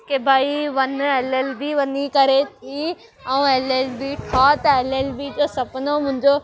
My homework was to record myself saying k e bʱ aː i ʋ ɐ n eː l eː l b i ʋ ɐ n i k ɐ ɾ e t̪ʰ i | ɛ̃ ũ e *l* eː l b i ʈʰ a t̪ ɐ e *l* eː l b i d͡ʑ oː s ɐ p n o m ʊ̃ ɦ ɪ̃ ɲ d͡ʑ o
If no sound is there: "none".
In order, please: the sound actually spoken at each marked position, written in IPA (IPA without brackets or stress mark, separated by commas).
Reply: l, l